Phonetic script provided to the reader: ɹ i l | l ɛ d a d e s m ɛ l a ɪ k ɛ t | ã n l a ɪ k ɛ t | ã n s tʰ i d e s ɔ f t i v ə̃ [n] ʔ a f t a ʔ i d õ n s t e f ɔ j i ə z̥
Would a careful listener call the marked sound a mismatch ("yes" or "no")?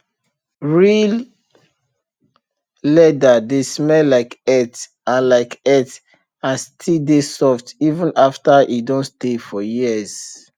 no